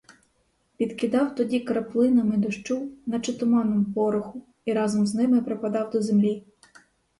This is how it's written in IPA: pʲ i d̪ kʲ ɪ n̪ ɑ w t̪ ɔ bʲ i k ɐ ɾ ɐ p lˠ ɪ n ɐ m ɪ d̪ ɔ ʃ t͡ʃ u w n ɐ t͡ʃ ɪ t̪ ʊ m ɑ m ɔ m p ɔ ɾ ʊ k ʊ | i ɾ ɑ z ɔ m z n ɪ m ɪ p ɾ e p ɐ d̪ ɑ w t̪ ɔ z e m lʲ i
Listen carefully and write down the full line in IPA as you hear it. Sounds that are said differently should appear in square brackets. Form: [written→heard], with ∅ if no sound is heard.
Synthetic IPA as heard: pʲ i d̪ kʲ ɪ [n̪→d̪] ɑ w t̪ ɔ [bʲ→dʲ] i k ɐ ɾ ɐ p lˠ ɪ n ɐ m ɪ d̪ ɔ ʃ t͡ʃ u w n ɐ t͡ʃ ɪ t̪ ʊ m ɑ [m→n] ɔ m p ɔ ɾ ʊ [k→x] ʊ | i ɾ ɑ z ɔ m z n ɪ m ɪ p ɾ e p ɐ d̪ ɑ w [t̪→d̪] ɔ z e m lʲ i